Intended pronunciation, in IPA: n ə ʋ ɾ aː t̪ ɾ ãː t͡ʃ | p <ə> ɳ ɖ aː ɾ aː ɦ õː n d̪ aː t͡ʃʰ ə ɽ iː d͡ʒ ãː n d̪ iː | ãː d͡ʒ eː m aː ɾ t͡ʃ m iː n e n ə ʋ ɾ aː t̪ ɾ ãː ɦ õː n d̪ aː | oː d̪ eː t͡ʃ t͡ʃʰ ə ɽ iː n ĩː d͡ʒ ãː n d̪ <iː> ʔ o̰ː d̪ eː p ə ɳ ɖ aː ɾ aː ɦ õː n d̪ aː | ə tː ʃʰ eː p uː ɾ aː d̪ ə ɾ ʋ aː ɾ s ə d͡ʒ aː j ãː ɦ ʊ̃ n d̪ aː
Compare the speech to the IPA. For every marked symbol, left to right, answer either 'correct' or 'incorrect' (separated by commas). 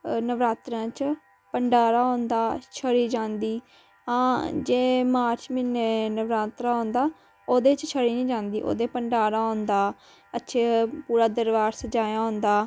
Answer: correct, correct